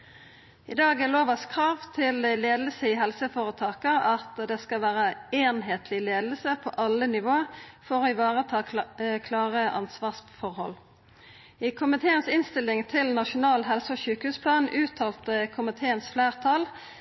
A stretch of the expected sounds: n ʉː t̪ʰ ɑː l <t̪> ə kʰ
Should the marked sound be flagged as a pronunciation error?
no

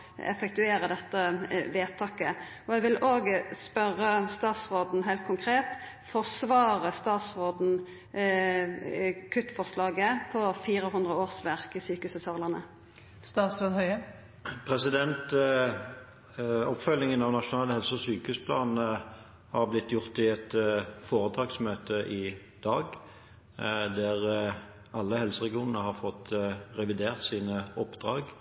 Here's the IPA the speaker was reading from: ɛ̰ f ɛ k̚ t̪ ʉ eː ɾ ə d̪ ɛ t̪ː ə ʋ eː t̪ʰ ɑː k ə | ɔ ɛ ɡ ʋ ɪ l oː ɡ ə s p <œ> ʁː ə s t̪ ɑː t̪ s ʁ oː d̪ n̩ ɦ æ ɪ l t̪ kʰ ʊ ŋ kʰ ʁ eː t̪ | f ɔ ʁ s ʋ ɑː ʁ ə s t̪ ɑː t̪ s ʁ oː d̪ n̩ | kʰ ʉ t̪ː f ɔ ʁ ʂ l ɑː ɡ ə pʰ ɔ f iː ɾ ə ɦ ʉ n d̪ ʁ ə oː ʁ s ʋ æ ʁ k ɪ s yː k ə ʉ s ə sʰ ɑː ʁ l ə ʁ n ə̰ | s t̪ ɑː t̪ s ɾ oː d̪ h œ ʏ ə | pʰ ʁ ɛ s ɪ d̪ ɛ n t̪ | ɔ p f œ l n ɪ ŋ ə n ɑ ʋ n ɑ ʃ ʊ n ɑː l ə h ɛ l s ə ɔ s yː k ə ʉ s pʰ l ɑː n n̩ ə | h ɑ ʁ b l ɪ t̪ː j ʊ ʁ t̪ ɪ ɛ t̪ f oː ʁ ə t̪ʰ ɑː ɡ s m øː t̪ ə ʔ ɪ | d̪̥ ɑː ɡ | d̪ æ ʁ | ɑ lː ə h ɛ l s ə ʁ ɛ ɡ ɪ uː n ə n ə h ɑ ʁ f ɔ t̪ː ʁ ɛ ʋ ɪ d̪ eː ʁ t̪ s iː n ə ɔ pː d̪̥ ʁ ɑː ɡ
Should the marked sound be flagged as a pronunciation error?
no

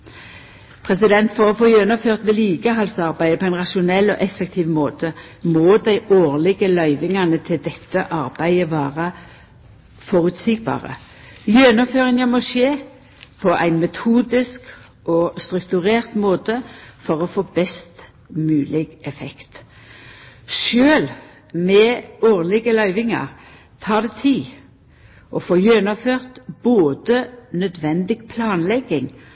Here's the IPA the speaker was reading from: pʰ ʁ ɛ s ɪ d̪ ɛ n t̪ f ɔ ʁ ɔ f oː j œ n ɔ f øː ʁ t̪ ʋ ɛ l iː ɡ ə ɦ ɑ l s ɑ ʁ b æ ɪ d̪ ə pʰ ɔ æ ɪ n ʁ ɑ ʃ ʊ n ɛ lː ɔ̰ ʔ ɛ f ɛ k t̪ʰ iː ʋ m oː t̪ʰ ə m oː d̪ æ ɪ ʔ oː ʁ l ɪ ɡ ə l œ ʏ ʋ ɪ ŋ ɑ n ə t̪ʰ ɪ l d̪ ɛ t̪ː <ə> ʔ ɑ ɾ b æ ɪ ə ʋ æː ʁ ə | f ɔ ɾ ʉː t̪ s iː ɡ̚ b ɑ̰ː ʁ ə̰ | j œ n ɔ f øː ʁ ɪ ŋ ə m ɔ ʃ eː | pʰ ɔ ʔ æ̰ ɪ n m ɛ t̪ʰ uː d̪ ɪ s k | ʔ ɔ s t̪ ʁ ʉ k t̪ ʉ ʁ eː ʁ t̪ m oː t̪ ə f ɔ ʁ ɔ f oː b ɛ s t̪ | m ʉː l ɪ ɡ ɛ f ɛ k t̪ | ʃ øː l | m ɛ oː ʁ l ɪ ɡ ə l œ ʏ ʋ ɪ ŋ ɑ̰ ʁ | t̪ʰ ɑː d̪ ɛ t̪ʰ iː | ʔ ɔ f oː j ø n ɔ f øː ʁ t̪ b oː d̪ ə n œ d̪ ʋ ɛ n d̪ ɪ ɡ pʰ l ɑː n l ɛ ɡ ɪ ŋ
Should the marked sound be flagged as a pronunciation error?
no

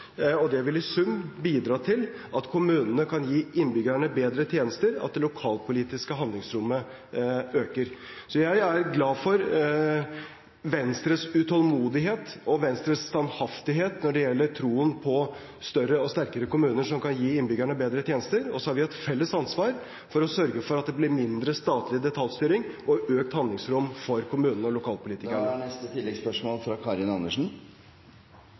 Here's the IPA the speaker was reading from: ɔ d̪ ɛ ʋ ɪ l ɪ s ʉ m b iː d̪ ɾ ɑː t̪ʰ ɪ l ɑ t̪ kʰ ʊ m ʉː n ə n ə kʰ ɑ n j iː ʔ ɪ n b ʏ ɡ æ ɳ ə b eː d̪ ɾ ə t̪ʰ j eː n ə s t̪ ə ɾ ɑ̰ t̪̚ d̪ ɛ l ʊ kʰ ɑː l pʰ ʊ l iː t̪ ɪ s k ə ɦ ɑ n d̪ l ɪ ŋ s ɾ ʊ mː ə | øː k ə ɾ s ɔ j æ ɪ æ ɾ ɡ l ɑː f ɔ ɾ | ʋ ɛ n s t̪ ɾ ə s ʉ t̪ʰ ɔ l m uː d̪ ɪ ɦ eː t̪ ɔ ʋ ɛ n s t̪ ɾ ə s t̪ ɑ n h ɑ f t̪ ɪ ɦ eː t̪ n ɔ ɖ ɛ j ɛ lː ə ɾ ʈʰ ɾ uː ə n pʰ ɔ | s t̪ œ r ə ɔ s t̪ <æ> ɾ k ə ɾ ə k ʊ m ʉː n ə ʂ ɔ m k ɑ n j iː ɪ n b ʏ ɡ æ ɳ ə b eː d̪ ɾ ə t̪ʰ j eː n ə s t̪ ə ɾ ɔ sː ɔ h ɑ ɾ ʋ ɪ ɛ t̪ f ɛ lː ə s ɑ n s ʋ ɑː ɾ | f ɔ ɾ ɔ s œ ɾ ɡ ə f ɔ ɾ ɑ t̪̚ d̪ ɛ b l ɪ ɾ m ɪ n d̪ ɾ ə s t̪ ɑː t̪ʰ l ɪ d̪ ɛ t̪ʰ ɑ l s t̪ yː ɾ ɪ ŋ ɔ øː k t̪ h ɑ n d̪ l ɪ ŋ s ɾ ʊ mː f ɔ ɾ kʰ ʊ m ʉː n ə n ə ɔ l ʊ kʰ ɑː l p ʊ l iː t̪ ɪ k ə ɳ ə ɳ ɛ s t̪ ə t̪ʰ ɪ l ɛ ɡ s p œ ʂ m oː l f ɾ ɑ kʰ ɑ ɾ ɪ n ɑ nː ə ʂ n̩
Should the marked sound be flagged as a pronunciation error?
no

